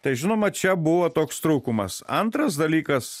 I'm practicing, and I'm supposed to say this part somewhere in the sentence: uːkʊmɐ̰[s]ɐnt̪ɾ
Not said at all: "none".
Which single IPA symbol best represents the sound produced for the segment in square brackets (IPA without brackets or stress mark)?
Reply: s